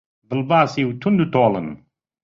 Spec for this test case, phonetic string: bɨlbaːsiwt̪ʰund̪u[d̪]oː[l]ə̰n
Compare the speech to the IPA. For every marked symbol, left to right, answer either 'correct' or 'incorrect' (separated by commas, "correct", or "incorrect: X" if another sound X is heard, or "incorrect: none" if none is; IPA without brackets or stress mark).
incorrect: t̪, correct